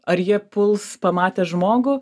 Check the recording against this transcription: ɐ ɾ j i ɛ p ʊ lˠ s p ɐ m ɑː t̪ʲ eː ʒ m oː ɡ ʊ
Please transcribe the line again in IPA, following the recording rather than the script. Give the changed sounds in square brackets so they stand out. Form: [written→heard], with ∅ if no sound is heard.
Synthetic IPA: ɐ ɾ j i ɛ p ʊ lˠ s p ɐ m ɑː t̪ʲ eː ʒ m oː ɡ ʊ